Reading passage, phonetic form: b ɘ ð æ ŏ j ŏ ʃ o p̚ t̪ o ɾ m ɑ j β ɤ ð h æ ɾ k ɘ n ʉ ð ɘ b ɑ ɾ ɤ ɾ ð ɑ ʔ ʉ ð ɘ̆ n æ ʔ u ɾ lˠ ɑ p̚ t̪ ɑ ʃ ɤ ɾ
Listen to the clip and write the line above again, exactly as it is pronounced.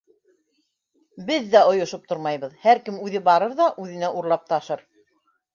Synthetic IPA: b ɘ ðː æ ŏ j ŏ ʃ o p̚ t̪ o ɾ m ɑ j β ɤ ð h æ ɾ k ɘ m ʉ ð ɘ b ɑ ɾ ɤ ɾ ð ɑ ʔ ʉ ð ɘ̆ n æ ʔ u ɾ lˠ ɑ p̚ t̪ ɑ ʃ ɤ ɾ